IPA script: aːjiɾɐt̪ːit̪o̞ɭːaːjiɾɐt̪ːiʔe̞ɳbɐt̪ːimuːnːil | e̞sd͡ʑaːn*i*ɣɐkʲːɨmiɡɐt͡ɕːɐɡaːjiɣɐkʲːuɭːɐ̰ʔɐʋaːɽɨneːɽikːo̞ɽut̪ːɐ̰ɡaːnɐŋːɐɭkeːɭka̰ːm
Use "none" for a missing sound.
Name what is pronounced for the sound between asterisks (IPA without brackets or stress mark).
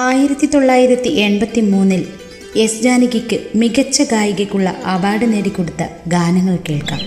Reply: i